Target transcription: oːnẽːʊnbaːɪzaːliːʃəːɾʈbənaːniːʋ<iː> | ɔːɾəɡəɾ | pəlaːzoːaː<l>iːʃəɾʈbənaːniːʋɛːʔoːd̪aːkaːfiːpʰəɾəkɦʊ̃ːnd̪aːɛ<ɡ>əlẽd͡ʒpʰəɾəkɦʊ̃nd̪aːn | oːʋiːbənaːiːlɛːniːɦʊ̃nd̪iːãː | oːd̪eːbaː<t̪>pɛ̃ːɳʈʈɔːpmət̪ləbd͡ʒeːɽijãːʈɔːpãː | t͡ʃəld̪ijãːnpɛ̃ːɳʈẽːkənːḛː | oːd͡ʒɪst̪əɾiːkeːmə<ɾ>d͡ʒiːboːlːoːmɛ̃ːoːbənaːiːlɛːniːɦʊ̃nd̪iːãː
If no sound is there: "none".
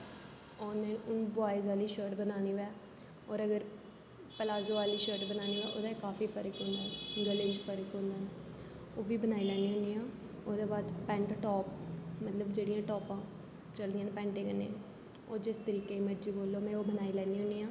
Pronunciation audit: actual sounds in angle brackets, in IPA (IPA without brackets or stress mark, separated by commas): ɛː, l, ɡ, d̪, ɾ